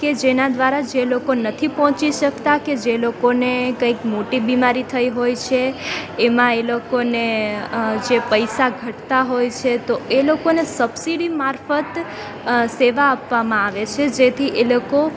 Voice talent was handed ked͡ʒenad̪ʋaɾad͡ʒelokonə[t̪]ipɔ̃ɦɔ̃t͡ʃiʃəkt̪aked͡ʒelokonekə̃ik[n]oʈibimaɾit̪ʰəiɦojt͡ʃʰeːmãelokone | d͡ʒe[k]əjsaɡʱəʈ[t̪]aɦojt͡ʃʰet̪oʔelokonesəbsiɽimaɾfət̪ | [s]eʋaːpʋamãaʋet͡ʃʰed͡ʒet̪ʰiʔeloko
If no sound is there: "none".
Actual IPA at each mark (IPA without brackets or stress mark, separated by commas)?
t̪ʰ, m, p, t̪, s